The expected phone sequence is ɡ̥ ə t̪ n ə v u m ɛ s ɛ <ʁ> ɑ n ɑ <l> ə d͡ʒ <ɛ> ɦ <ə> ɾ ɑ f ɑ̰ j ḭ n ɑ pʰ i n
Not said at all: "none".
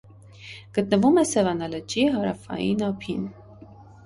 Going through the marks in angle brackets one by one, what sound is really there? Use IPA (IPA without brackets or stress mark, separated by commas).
v, l, i, ɑ